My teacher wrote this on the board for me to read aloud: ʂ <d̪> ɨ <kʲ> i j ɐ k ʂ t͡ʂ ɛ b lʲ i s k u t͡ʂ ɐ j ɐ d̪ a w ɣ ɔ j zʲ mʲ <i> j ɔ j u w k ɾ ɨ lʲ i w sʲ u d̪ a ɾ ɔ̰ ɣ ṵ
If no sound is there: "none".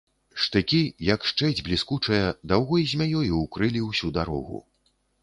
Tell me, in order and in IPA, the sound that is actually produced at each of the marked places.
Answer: t̪, kʲ, a

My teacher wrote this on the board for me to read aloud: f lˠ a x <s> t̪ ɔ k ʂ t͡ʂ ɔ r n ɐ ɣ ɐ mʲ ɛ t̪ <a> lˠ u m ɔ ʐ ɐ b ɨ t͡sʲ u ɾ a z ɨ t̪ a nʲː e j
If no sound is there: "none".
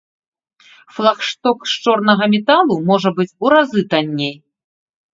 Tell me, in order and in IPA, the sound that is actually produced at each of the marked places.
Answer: ʂ, a

